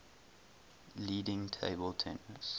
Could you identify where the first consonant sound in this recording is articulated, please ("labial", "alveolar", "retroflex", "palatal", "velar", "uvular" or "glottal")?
alveolar